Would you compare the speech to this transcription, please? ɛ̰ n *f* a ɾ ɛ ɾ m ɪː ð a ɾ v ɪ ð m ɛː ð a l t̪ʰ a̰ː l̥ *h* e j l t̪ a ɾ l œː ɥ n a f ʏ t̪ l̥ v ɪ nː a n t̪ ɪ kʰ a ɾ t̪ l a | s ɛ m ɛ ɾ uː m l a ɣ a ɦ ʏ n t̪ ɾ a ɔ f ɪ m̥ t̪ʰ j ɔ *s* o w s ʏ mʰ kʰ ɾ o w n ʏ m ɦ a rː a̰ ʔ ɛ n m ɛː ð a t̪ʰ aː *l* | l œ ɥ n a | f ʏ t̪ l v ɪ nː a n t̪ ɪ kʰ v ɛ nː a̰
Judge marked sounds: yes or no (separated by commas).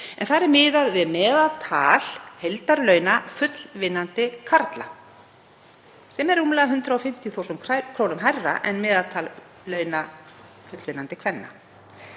no, yes, no, yes